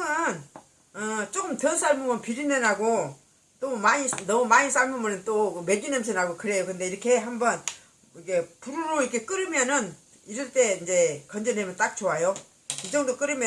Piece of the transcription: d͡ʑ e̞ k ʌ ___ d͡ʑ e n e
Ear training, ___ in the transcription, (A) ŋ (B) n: B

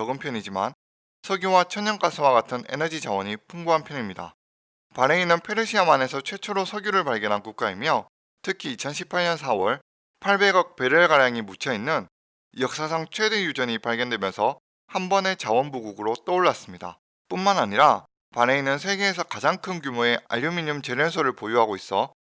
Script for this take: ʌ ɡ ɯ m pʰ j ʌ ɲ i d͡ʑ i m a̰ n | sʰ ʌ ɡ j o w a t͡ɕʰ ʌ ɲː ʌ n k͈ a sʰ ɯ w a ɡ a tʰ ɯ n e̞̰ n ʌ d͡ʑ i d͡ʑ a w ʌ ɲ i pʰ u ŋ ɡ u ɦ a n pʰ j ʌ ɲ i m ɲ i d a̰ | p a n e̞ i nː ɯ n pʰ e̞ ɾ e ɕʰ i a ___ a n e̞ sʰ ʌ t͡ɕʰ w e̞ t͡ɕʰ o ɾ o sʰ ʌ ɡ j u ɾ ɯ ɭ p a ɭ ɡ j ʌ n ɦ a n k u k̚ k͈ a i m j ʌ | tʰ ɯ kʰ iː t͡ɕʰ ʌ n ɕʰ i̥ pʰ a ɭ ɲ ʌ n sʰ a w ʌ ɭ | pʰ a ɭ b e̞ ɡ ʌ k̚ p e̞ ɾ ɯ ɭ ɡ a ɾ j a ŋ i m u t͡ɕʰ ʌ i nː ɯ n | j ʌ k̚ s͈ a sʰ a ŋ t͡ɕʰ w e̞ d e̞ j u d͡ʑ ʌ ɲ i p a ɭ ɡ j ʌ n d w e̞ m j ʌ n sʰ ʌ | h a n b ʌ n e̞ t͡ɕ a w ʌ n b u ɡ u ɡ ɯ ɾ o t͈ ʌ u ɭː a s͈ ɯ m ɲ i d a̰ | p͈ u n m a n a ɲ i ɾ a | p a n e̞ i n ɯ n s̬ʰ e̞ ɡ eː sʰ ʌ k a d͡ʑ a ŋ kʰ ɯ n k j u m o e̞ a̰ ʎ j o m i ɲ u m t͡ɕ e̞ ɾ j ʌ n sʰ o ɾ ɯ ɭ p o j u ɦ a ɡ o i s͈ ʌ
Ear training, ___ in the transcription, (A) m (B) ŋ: A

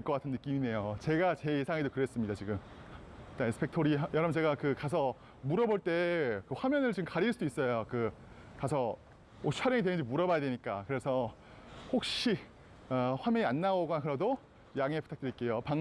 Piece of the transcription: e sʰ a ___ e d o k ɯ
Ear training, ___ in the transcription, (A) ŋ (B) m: A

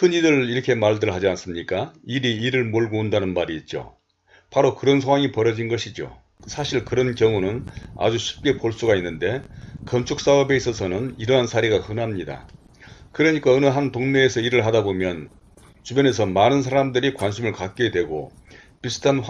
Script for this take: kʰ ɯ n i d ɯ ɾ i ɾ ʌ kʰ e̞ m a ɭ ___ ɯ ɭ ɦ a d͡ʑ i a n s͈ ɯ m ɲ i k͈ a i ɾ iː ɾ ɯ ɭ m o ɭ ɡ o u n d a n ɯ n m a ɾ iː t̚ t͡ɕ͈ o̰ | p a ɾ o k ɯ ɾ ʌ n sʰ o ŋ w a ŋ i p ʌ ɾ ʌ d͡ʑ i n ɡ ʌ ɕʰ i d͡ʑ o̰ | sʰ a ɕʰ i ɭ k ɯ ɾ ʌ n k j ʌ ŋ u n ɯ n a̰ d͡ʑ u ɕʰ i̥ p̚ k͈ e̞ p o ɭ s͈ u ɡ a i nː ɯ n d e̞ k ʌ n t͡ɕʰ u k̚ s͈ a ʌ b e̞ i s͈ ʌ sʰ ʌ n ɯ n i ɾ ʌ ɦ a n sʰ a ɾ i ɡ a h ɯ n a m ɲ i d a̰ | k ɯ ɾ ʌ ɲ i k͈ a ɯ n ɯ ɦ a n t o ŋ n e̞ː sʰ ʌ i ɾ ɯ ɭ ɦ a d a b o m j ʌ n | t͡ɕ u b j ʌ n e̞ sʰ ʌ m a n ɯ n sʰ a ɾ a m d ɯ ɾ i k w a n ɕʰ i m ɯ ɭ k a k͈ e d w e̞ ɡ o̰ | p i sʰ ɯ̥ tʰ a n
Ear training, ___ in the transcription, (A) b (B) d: B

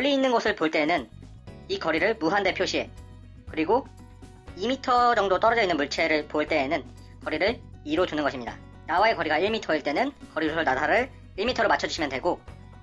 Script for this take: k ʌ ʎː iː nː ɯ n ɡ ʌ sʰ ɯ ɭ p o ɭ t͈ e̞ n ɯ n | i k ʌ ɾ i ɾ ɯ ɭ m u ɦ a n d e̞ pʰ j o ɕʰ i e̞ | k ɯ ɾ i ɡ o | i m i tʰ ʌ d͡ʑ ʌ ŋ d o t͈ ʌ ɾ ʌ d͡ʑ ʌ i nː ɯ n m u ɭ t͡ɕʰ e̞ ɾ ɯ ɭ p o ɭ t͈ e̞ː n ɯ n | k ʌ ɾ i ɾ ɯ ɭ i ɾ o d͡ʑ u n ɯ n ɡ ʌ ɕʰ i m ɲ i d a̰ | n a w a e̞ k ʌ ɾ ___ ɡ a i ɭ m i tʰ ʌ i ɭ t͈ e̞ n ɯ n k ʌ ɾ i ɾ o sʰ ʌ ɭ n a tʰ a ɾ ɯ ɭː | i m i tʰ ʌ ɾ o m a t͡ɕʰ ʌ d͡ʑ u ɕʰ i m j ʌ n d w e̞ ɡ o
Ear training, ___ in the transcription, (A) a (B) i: B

